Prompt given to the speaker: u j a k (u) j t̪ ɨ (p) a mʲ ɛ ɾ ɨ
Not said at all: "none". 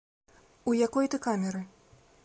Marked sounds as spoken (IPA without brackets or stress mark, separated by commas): ɔ, k